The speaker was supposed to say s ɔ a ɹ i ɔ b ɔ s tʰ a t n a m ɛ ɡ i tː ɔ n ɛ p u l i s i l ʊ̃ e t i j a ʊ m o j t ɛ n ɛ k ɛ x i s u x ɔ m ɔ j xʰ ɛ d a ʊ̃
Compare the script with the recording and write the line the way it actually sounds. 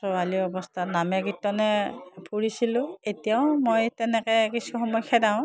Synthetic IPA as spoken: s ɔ a l i ɔ b ɔ s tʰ a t n a m ɛ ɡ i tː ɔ n ɛ p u ɹ i s i l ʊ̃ e t i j a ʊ m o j t ɛ n ɛ k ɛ k i s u x ɔ m ɔ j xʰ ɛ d a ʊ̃